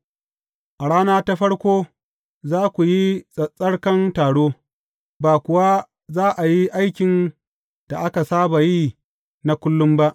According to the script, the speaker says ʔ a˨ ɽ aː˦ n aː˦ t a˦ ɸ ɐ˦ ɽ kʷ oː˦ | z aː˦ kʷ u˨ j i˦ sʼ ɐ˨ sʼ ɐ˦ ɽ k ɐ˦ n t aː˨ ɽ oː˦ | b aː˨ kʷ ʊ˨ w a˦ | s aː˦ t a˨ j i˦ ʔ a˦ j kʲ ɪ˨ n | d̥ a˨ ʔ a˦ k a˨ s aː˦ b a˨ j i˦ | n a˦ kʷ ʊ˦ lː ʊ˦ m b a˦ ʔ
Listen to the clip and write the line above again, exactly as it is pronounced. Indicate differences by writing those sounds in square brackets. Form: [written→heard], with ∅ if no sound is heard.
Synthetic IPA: ʔ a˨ ɽ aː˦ n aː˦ t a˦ ɸ ɐ˦ ɽ kʷ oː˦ | z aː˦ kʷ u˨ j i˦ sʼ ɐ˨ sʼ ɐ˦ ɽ k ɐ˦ n t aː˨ ɽ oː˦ | b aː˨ kʷ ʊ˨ w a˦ | [s→z] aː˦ [t→ʔ] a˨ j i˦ ʔ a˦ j kʲ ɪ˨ n | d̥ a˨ ʔ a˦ k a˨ s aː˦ b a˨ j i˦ | n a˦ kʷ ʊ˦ lː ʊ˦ m b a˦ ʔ